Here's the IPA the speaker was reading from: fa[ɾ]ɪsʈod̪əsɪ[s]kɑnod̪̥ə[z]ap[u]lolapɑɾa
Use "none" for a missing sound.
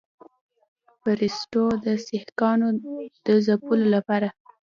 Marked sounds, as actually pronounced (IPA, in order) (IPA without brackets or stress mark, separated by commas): ɾ, h, z, u